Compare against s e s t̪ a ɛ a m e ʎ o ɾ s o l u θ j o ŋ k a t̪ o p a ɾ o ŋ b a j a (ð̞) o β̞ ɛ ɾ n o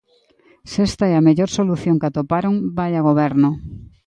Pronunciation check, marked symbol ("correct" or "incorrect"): incorrect